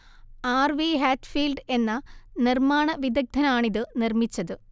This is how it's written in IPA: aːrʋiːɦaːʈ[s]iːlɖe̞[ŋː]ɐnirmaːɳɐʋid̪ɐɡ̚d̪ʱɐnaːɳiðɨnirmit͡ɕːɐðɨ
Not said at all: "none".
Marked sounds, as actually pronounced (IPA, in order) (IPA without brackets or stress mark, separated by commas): f, nː